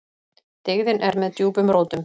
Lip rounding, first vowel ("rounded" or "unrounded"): unrounded